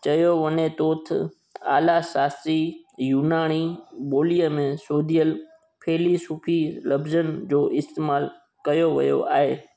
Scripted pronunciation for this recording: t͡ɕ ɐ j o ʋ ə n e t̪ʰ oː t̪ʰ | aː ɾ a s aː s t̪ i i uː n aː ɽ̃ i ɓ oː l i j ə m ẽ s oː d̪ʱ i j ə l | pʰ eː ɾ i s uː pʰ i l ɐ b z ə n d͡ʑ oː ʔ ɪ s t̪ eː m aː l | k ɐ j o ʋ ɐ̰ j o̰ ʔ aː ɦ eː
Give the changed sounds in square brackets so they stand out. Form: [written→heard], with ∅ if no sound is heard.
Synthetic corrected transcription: t͡ɕ ɐ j o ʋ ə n e [t̪ʰ→t̪] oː t̪ʰ | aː [ɾ→l] a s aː s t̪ i [i→j] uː n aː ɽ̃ i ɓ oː l i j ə m ẽ s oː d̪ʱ i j ə l | pʰ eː [ɾ→l] i s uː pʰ i l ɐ b z ə n d͡ʑ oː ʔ ɪ s t̪ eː m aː l | k ɐ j o ʋ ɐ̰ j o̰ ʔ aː ɦ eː